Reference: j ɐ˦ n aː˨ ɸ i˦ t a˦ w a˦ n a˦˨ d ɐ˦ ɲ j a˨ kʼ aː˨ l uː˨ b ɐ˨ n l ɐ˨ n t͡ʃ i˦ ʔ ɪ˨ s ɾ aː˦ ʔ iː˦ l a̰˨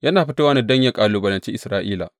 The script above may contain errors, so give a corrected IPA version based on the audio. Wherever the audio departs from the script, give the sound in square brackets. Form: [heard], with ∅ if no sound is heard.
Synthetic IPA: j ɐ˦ n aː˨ ɸ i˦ t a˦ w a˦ n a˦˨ d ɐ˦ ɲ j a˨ kʼ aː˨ l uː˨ b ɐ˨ [∅] l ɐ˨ n t͡ʃ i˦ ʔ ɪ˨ s ɾ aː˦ ʔ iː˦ l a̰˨